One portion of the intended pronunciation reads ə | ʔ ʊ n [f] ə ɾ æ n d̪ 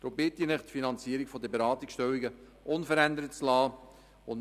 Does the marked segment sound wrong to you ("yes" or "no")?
no